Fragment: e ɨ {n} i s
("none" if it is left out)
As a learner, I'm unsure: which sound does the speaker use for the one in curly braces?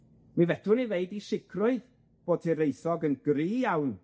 d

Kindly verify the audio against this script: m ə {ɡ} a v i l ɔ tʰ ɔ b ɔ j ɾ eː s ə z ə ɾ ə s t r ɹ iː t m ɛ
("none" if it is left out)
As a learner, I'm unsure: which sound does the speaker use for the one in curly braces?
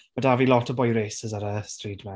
d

